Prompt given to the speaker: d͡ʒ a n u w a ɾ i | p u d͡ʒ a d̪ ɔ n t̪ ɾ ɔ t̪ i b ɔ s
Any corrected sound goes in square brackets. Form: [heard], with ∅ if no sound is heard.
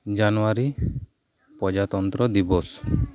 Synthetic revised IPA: d͡ʒ a n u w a ɾ i | p [ɔ] d͡ʒ a [t̪] ɔ n t̪ ɾ ɔ [d̪] i b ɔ s